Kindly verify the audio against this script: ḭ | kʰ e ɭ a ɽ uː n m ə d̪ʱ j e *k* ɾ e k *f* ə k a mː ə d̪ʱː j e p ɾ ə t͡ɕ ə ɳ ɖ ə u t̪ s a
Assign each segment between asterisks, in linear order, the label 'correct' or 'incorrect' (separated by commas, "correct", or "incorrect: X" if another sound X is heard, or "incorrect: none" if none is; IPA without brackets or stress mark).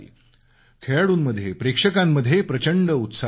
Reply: incorrect: p, incorrect: ʂ